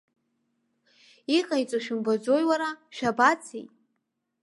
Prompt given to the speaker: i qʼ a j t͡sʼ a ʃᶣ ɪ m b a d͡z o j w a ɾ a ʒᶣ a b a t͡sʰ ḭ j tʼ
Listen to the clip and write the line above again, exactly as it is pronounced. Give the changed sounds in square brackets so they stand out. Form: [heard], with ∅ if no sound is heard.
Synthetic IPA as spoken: i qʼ a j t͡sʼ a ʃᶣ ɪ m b a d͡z o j w a ɾ a [ʃᶣ] a b a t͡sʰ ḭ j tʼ